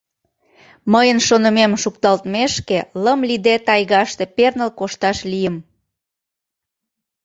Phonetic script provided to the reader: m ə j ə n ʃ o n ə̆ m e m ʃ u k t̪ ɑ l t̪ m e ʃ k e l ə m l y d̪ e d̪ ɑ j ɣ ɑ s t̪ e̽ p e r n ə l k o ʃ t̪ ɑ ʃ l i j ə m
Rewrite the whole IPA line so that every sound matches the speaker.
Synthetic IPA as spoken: m ə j ə n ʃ o n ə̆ m e m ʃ u k t̪ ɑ l t̪ m e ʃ k e l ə m l i d̪ e t̪ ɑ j ɣ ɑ ʃ t̪ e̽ p e r n ə l k o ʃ t̪ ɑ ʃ l i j ə m